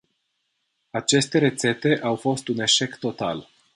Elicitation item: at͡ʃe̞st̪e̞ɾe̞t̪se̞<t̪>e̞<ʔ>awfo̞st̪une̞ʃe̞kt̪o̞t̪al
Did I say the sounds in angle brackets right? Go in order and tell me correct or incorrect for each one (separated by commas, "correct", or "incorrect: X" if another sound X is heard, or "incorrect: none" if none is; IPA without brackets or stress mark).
correct, correct